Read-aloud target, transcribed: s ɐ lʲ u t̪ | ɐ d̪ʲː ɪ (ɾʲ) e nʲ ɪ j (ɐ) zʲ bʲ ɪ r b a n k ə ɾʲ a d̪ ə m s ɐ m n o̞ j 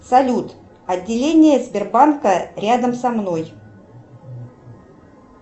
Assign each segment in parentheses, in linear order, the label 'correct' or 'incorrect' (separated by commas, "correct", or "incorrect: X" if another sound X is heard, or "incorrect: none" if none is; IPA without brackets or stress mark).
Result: incorrect: lʲ, incorrect: ə